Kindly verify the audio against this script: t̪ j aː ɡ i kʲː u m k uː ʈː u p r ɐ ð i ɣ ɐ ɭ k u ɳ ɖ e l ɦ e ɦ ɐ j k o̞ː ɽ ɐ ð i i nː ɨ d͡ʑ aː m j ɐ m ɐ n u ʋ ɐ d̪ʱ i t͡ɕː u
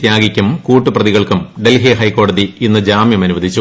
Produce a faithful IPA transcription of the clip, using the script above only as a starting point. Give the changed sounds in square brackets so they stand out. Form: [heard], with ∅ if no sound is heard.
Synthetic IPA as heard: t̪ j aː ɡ i kʲː u m k uː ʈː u p r ɐ ð i ɣ ɐ ɭ k u [m] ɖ e l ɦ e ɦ ɐ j k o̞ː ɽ ɐ ð i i nː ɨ d͡ʑ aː m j ɐ m ɐ n u ʋ ɐ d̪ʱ i t͡ɕː u

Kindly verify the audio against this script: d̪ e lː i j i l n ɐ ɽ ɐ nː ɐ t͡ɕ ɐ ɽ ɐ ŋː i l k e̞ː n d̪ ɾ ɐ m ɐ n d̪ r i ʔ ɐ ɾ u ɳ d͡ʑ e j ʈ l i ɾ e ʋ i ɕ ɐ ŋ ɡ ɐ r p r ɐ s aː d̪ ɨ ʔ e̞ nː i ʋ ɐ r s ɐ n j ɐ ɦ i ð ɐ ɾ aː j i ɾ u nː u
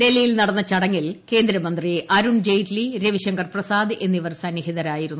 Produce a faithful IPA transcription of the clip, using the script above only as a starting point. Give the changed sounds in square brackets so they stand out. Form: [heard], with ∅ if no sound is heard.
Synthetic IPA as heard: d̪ e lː i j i l n ɐ ɽ ɐ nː ɐ t͡ɕ ɐ ɽ ɐ ŋː i l k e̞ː n d̪ ɾ ɐ m ɐ n d̪ r i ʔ ɐ ɾ u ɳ d͡ʑ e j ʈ l i ɾ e ʋ i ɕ ɐ ŋ ɡ ɐ r p r ɐ s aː d̪ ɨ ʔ e̞ nː i ʋ ɐ r s ɐ n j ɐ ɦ i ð ɐ ɾ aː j i ɾ u nː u

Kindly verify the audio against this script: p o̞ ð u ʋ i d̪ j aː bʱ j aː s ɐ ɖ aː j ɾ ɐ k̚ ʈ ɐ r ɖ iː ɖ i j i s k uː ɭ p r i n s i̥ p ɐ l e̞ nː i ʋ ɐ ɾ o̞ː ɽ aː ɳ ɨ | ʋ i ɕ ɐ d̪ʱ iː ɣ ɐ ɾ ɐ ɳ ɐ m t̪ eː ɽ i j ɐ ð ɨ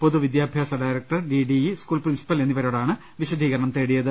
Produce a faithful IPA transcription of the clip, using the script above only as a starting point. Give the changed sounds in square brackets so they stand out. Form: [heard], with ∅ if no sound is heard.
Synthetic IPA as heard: p o̞ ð u ʋ i d̪ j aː bʱ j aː s ɐ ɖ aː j ɾ ɐ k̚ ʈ ɐ r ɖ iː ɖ i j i s k uː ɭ p r i n s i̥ p ɐ l e̞ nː i ʋ ɐ ɾ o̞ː ɽ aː ɳ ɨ | ʋ i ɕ ɐ d̪ʱ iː ɣ ɐ ɾ ɐ ɳ ɐ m t̪ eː ɽ i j ɐ ð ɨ

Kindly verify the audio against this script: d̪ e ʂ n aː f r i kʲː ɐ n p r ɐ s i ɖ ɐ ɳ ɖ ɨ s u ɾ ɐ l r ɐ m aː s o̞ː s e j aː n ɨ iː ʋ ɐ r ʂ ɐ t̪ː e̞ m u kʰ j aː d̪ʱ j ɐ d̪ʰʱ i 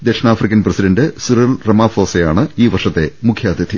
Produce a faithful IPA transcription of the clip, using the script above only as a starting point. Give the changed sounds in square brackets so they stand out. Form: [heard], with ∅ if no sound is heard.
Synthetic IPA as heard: d̪ e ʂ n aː f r i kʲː ɐ n p r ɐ s i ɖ ɐ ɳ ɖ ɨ s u ɾ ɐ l r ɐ m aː [f] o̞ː s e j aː [ɳ] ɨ iː ʋ ɐ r ʂ ɐ t̪ː e̞ m u kʰ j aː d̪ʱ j ɐ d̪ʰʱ i

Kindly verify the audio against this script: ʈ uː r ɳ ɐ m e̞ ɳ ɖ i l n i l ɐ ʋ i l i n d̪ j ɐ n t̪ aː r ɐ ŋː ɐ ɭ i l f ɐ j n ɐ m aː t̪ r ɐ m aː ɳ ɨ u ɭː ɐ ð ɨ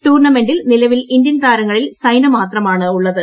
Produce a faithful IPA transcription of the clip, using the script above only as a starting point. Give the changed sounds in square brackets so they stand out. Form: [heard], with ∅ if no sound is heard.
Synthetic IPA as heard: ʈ uː r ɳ ɐ m e̞ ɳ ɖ i l n i l ɐ ʋ i l i n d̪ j ɐ n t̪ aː [ɾ] ɐ ŋː ɐ ɭ i l [s] ɐ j n ɐ m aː t̪ r ɐ m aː ɳ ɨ u ɭː ɐ ð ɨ

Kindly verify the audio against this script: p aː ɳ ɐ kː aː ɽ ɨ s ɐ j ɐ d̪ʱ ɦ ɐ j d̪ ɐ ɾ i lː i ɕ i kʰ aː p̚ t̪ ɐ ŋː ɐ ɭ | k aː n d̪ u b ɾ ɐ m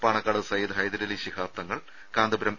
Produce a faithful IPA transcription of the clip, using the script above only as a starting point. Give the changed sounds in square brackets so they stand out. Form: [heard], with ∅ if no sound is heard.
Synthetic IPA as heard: p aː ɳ ɐ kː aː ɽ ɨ s ɐ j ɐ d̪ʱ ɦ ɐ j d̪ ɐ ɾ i [l] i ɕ i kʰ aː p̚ t̪ ɐ ŋː ɐ ɭ | k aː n d̪ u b ɾ ɐ m

